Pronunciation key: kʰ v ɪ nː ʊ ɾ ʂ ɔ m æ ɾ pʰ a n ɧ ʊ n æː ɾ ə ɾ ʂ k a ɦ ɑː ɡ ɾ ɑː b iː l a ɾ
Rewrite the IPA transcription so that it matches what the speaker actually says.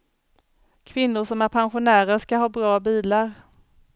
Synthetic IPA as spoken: kʰ v ɪ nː ʊ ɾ ʂ ɔ m æ ɾ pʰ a n ɧ ʊ n æː ɾ ə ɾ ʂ k a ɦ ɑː b ɾ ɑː b iː l a ɾ